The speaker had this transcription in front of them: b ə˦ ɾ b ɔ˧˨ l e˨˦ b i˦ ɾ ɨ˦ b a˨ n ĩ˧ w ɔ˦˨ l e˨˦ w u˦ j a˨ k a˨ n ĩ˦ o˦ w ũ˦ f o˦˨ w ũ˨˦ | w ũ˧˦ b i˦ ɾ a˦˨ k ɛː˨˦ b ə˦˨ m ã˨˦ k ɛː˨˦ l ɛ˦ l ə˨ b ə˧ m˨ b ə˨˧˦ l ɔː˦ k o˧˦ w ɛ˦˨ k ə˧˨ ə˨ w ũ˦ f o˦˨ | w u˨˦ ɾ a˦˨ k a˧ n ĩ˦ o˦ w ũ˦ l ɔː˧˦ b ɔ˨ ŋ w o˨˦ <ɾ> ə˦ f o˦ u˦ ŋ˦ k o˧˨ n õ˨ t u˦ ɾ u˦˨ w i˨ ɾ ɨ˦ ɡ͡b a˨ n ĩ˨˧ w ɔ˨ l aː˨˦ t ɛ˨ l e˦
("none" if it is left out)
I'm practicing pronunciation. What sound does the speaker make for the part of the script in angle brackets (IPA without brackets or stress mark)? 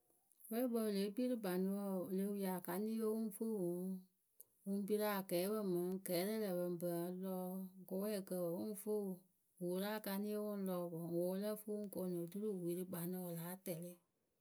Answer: l